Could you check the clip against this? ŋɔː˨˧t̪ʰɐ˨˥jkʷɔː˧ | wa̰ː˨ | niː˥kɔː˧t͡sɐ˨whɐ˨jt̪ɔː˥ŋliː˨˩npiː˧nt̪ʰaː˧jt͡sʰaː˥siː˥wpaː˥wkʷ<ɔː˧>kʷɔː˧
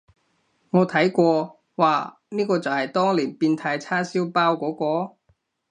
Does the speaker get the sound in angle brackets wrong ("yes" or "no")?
yes